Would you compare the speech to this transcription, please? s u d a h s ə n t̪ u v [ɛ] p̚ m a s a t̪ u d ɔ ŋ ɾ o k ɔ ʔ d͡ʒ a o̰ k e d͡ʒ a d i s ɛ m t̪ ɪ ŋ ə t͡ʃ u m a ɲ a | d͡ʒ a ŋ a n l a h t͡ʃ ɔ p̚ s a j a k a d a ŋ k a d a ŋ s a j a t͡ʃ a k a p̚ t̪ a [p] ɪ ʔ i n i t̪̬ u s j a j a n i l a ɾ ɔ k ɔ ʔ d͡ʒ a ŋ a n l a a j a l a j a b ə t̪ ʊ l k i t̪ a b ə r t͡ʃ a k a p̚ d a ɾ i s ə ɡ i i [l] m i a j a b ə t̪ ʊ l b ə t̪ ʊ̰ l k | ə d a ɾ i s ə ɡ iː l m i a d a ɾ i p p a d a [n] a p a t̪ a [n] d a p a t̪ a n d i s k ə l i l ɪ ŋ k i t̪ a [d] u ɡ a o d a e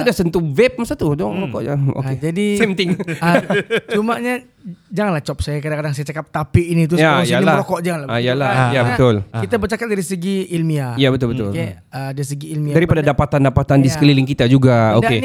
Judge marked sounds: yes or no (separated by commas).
yes, yes, yes, no, yes, no